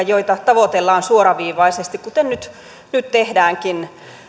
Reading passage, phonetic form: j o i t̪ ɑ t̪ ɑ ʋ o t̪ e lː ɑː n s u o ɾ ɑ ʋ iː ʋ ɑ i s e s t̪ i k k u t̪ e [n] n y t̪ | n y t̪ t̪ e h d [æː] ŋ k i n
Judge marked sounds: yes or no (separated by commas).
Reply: yes, yes